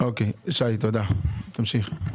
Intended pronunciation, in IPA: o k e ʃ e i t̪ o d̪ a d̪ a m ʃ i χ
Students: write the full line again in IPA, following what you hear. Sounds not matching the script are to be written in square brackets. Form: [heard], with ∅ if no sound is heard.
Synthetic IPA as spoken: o k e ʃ [a] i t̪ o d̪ a [t̪] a m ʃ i χ